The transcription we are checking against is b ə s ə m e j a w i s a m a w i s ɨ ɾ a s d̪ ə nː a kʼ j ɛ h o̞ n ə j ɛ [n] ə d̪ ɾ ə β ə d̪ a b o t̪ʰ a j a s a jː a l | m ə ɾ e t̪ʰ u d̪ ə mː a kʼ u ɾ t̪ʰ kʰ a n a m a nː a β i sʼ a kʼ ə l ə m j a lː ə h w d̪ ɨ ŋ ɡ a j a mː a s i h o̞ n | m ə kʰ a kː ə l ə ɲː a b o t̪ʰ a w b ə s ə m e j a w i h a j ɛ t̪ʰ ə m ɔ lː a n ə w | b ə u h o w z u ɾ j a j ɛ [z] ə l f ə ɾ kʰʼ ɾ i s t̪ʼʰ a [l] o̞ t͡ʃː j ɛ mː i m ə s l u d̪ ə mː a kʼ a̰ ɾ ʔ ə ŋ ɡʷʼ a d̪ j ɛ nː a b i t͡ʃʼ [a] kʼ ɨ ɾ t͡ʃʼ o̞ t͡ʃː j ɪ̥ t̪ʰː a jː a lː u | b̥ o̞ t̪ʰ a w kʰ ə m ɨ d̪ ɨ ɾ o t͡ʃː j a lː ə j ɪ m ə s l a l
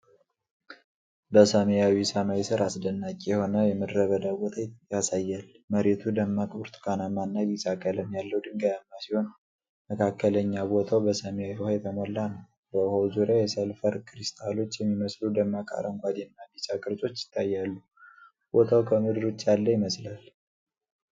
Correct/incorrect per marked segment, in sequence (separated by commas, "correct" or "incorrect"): incorrect, incorrect, correct, correct